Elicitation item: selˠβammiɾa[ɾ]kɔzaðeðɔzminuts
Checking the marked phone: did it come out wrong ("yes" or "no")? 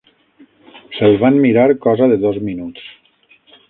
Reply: no